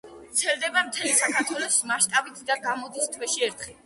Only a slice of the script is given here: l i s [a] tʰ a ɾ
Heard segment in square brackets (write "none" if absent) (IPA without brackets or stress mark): a